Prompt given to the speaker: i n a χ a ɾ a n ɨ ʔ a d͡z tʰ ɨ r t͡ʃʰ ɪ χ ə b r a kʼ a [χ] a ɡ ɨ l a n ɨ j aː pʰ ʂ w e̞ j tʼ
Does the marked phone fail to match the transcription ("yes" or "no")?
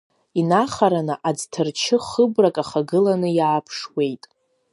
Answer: no